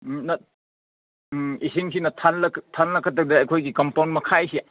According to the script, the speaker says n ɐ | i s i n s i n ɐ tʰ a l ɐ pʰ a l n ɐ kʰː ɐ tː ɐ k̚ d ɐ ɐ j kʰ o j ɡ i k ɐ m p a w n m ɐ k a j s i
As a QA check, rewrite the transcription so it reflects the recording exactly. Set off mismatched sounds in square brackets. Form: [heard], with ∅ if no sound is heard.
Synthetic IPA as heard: n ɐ | i s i [ŋ] s i n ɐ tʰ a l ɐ [tʰ] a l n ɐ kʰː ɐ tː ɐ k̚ d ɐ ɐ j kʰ o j ɡ i k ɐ m p a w n m ɐ [kʰ] a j s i